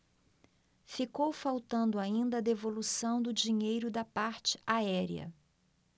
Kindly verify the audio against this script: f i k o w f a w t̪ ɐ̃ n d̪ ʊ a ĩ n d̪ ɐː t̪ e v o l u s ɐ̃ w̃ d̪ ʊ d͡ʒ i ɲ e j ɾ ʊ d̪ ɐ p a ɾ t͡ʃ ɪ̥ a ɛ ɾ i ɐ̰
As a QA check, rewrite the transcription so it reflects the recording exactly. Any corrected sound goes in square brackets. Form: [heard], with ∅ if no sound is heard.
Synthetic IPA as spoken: f i k o w f a w t̪ ɐ̃ n d̪ ʊ a ĩ n d̪ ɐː [d̪] e v o l u s ɐ̃ w̃ d̪ ʊ d͡ʒ i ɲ e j ɾ ʊ d̪ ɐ p a ɾ t͡ʃ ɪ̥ a ɛ ɾ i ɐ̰